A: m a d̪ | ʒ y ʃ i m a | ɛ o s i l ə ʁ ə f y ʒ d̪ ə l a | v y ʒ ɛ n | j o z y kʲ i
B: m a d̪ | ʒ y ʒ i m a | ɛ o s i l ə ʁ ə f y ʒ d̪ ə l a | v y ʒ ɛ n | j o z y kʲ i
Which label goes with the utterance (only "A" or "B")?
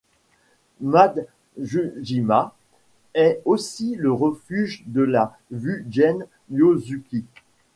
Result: B